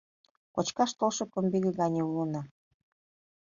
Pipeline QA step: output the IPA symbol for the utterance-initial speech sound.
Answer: k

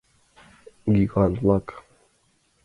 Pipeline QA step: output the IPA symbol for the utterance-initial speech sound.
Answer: ɡ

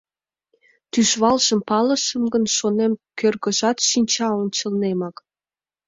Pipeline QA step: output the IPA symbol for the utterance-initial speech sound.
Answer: t̪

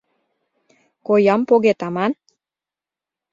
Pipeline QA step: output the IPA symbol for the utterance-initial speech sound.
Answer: k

